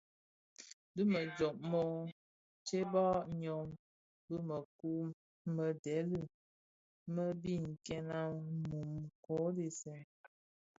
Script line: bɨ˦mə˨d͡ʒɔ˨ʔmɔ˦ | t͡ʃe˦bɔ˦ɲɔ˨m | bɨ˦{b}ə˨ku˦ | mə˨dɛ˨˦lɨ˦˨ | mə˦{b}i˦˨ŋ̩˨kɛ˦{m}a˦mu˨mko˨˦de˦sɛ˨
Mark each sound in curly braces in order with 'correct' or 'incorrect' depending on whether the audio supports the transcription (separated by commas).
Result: incorrect, correct, incorrect